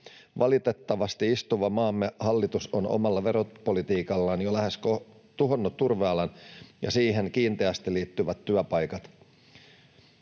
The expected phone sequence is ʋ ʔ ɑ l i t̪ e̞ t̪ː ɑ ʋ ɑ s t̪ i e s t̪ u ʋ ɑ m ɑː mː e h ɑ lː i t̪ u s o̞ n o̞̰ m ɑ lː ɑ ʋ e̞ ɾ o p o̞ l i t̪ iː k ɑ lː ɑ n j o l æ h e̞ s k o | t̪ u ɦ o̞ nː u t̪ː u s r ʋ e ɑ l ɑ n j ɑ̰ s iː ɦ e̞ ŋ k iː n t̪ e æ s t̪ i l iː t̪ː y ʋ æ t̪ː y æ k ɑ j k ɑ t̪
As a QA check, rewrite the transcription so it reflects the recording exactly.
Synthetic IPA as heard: ʋ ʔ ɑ l i t̪ e̞ t̪ː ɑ ʋ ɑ s t̪ i i s t̪ u ʋ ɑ m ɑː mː e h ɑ lː i t̪ u s o̞ n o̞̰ m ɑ lː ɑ ʋ e̞ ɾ o p o̞ l i t̪ iː k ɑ lː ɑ n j o l æ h e̞ s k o | t̪ u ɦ o̞ nː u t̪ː u r ʋ e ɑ l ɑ n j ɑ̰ s iː ɦ e̞ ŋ k iː n t̪ e æ s t̪ i l iː t̪ː y ʋ æ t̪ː y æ p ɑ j k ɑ t̪

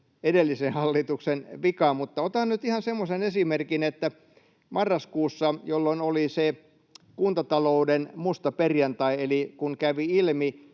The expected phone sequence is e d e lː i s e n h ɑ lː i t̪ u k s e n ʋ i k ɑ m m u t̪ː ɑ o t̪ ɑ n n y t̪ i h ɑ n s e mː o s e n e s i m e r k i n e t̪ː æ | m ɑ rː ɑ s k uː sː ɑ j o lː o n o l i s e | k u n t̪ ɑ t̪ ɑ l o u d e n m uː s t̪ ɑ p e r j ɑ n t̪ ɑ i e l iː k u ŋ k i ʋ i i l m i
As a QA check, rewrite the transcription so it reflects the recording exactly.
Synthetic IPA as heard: e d e lː i s e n h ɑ lː i t̪ u k s e n ʋ i k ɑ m m u t̪ː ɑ o t̪ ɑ n n y t̪ i h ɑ n s e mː o s e n e s i m e r k i n e t̪ː æ | m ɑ rː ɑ s k uː sː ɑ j o lː o n o l i s e | k u n t̪ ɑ t̪ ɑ l o u d e n m u s t̪ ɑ p e r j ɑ n t̪ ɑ i e l i k u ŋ k æ ʋ i i l m i

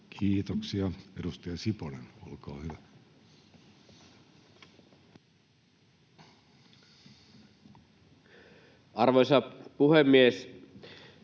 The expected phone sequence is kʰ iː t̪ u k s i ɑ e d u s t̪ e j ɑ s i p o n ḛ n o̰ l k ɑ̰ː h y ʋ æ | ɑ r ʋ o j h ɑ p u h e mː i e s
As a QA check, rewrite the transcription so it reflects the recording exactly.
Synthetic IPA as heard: kʰ iː t̪ o k s i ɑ e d u s t̪ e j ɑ s i p o n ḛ n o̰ l k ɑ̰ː h y ʋ æ | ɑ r ʋ o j s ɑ p u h e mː i e s

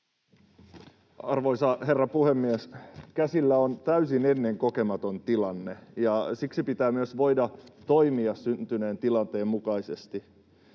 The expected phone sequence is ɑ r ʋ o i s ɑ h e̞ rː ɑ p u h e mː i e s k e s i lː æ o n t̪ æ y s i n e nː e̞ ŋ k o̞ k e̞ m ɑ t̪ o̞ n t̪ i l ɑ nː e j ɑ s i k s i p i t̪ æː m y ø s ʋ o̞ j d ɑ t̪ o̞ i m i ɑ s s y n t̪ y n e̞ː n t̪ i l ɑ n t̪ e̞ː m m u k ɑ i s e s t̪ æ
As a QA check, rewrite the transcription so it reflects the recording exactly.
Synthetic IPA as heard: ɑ r ʋ o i s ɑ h e̞ rː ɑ p u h e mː i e s k æ s i lː æ o n t̪ æ y s i n e nː e̞ ŋ k o̞ k e̞ m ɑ t̪ o̞ n t̪ i l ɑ nː e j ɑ s i k s i p i t̪ æː m y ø s ʋ o̞ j d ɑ t̪ o̞ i m i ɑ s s y n t̪ y n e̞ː n t̪ i l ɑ n t̪ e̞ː m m u k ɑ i s e s t̪ i

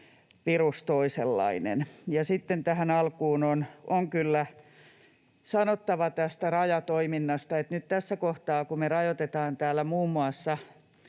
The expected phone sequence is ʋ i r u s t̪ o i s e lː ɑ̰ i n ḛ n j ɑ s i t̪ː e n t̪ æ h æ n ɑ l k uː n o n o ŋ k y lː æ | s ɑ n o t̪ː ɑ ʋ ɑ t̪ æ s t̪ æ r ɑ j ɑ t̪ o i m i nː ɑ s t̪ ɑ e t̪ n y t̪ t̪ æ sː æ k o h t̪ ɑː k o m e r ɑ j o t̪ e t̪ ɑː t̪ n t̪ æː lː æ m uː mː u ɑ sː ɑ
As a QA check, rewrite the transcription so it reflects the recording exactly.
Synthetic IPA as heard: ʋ i r u s t̪ o i s e lː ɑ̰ i n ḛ n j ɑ s i t̪ː e n t̪ æ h æ n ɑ l k uː n o n o ŋ k y lː æ | s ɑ n o t̪ː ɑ ʋ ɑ t̪ æ s t̪ æ r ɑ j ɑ t̪ o i m i nː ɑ s t̪ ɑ e t̪ n y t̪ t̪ æ sː æ k o h t̪ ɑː k u m e r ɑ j o t̪ e t̪ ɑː n t̪ æː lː æ m uː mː u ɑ sː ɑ

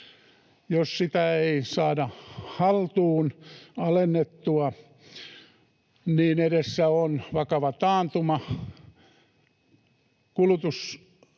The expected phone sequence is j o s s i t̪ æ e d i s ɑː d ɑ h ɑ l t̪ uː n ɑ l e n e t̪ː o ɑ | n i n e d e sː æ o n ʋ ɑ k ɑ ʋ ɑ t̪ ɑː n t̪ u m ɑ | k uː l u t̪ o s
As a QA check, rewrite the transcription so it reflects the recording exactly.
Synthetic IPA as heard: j o s s i t̪ æ e i s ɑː d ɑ h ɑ l t̪ uː n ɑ l e nː e t̪ː u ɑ | n iː n e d e sː æ o n ʋ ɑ k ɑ ʋ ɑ t̪ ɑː n t̪ u m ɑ | k u l u t̪ u s

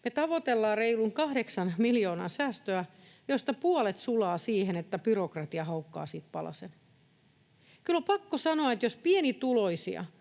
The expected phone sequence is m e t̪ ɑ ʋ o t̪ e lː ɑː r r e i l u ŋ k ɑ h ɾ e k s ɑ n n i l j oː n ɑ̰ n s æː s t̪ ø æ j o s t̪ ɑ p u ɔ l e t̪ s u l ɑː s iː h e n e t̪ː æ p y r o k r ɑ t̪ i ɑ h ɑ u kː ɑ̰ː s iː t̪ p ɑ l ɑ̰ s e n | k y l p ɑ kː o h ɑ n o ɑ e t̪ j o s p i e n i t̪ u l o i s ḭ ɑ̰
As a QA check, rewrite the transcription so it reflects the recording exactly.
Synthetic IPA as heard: m e t̪ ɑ ʋ o t̪ e lː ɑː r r e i l u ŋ k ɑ h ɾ e k s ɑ n m i l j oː n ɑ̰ n s æː s t̪ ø æ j o s t̪ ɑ p u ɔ l e t̪ s u l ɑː s iː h e n e t̪ː æ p y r o k r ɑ t̪ i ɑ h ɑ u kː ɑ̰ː s iː t̪ p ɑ l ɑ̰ s e n | k y l p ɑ kː o s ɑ n o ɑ e t̪ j o s p i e n i t̪ u l o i s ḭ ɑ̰

